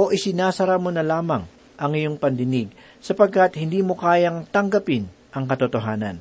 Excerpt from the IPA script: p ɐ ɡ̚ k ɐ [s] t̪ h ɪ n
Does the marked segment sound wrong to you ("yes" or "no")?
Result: yes